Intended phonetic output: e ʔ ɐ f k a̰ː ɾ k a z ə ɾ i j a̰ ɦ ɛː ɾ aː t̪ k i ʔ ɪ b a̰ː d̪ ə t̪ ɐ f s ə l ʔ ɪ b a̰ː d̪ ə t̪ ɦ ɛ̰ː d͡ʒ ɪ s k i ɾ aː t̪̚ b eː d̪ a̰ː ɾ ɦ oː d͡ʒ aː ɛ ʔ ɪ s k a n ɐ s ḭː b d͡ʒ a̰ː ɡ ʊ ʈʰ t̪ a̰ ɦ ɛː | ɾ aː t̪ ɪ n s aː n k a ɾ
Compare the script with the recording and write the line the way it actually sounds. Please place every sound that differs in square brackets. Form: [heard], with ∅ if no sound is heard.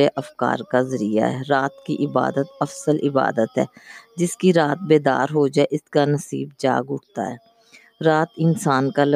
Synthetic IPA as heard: e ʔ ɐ f k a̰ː ɾ k a z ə ɾ i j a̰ ɦ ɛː ɾ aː t̪ k i ʔ ɪ b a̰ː d̪ ə t̪ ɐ f s ə l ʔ ɪ b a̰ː d̪ ə t̪ ɦ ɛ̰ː d͡ʒ ɪ s k i ɾ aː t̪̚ b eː d̪ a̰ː ɾ ɦ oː d͡ʒ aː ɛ ʔ ɪ s k a n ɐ s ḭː b d͡ʒ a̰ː ɡ ʊ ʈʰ t̪ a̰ ɦ ɛː | ɾ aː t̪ ɪ n s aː n k a [l]